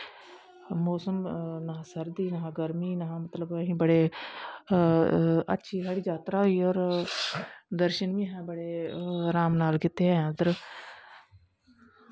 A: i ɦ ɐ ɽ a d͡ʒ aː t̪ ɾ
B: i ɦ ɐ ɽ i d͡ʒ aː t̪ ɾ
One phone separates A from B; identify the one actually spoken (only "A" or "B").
B